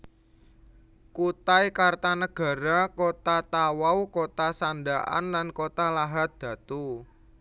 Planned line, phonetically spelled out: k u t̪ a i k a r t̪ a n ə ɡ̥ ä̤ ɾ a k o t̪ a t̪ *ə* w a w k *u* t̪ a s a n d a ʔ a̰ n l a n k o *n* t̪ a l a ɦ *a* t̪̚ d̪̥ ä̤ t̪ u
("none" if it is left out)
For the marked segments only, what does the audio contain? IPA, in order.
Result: a, o, none, a

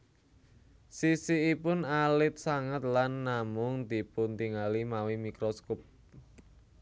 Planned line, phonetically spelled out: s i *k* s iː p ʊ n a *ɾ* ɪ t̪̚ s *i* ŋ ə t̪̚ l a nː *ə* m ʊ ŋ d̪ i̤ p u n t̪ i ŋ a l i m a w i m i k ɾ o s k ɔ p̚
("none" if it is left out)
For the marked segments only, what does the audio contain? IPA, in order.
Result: none, l, a, a

